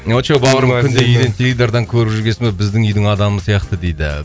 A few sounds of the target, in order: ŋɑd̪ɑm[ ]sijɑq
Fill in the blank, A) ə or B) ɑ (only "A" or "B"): A